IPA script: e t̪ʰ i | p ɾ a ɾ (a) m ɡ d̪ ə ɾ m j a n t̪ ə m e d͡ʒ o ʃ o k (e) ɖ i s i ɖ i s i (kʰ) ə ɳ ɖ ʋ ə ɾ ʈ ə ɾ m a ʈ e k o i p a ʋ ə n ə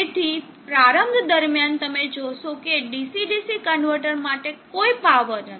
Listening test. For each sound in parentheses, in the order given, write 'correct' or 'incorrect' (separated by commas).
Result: incorrect, correct, incorrect